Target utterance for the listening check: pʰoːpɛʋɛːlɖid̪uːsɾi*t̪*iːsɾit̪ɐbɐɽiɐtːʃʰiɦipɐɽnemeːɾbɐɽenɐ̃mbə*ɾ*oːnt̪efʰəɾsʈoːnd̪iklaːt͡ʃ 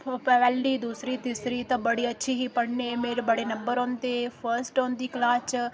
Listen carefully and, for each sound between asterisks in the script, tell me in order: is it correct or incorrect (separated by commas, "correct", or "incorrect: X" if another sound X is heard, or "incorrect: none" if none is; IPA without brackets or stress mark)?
correct, correct